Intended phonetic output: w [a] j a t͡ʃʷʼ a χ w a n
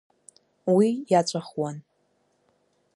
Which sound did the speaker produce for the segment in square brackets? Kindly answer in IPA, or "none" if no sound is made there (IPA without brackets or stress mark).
i